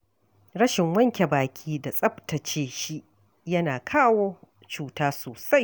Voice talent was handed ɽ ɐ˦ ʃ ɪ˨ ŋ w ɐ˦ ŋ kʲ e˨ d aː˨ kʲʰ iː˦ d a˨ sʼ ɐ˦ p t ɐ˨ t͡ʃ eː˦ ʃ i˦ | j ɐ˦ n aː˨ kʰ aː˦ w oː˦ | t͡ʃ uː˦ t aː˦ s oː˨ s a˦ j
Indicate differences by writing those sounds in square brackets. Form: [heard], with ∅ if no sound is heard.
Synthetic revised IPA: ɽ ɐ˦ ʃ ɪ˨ ŋ w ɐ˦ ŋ kʲ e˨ [b] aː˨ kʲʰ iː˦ d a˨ sʼ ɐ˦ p t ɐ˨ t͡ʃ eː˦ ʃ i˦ | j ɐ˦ n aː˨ kʰ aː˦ w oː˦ | t͡ʃ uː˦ t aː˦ s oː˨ s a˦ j